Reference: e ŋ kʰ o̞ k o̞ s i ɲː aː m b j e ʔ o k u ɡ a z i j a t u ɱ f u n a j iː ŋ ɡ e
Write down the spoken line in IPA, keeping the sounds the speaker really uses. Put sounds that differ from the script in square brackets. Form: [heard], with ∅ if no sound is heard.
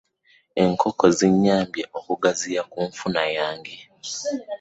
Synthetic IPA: e ŋ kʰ o̞ k o̞ [z] i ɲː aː m b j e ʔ o k u ɡ a z i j a [k] u ɱ f u n a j [aː] ŋ ɡ e

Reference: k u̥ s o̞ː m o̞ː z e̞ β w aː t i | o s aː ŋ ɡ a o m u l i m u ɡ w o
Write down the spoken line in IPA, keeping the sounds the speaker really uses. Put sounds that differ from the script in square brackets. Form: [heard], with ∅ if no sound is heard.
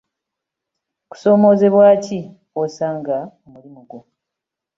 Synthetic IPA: k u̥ s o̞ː m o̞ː z e̞ β w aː [c] i | o s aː ŋ ɡ a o m u l i m u ɡ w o

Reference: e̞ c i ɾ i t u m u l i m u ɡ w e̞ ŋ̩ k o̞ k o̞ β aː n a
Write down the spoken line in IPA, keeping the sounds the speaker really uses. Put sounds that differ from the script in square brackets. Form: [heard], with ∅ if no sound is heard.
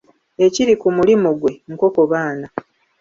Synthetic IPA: e̞ c i ɾ i [k] u m u l i m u ɡ w e̞ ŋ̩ k o̞ k o̞ β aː n a

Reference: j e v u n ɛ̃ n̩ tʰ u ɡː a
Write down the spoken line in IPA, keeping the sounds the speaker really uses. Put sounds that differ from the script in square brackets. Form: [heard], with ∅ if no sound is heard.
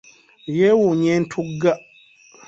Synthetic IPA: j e [w] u [ɲ] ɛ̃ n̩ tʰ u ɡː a

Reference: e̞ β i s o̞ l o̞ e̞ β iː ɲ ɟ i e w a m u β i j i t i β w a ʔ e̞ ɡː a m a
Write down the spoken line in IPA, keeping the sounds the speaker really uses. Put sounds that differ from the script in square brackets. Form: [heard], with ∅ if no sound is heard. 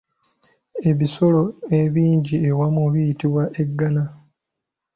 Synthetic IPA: e̞ β i s o̞ l o̞ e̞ β iː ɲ ɟ i e w a m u β i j i t i β w a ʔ e̞ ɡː a [n] a

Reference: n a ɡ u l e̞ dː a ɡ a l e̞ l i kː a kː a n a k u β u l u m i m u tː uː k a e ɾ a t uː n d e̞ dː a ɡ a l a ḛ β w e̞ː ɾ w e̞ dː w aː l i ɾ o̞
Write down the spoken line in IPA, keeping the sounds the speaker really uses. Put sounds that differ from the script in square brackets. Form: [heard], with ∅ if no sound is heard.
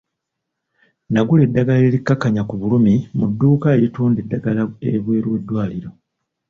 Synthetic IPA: n a ɡ u l e̞ dː a ɡ a l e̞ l i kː a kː a [ɲ] a k u β u l u m i m u [dː] uː k a e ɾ [i] t uː n d e̞ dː a ɡ a l a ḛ β w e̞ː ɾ w e̞ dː w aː l i ɾ o̞

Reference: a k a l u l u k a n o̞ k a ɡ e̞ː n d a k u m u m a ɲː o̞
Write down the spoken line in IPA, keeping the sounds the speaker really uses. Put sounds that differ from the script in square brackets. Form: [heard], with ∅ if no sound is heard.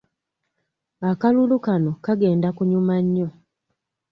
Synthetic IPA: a k a l u l u k a n o̞ k a ɡ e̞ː n d a k u [ɲ] u m a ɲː o̞

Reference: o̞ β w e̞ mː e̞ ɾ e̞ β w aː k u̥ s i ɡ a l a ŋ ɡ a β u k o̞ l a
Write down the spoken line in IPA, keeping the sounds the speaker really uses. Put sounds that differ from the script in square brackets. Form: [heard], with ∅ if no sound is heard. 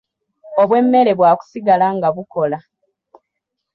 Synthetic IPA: o̞ β w e̞ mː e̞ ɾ e̞ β w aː k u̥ s i ɡ a l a ŋ ɡ a β u k o̞ l a

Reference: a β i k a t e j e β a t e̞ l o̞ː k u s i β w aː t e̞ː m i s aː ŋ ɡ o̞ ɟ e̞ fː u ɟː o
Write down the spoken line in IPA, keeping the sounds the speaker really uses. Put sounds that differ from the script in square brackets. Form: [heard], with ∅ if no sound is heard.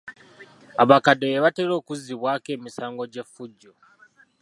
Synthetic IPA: a β [a] k a [d] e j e β a t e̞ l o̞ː k u [z] i β w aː [k] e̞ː m i s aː ŋ ɡ o̞ ɟ e̞ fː u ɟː o

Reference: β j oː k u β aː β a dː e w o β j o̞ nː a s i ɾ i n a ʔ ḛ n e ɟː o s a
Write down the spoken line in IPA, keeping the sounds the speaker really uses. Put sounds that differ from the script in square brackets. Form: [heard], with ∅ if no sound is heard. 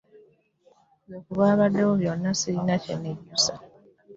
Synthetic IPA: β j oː k u β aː β a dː e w o β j o̞ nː a s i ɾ i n a [c] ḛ n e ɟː [u] s a

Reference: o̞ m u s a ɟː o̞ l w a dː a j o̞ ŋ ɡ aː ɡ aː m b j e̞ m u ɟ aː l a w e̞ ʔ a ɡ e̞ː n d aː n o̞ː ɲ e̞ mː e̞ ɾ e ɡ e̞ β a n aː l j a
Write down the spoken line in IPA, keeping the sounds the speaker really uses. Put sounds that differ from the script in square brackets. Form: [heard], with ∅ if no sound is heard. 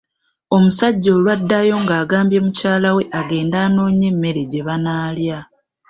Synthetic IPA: o̞ m u s a ɟː o̞ l w a dː a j o̞ ŋ ɡ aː ɡ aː m b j e̞ m u [c] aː l a w e̞ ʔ a ɡ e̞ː n d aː n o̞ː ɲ e̞ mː e̞ ɾ e [ɟ] e̞ β a n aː l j a

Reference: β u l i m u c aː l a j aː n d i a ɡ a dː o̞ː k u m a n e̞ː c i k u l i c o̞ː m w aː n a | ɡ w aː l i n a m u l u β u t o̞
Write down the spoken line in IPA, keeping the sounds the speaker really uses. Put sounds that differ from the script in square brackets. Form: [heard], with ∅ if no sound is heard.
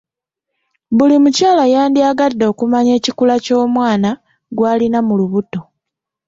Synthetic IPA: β u l i m u c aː l a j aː n d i a ɡ a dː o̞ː k u m a [ɲ] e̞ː c i k u l [a] c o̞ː m w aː n a | ɡ w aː l i n a m u l u β u t o̞

